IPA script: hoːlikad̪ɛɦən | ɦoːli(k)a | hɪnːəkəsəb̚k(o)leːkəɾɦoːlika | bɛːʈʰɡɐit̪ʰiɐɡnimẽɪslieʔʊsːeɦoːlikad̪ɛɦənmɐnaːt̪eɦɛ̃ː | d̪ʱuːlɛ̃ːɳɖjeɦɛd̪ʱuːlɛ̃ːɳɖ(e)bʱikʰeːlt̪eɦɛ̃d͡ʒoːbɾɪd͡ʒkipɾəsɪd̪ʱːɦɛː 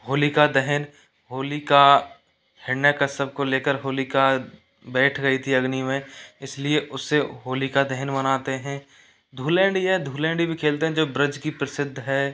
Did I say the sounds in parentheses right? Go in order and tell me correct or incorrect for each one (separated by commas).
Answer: correct, correct, incorrect